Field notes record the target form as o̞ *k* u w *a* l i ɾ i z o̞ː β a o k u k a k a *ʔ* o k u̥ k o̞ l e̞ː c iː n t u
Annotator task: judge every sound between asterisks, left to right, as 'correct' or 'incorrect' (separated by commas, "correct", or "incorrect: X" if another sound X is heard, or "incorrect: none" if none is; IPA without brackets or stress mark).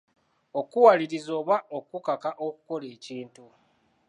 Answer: correct, correct, correct